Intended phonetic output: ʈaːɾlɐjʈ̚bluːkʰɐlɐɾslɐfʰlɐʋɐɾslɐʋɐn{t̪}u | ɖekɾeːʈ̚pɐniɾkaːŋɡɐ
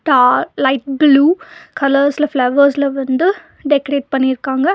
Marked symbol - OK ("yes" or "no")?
no